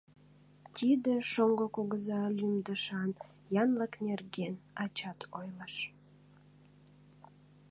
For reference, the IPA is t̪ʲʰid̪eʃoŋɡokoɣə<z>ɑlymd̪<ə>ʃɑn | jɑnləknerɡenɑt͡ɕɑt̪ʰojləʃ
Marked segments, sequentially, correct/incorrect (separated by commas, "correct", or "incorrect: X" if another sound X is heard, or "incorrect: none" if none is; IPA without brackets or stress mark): correct, correct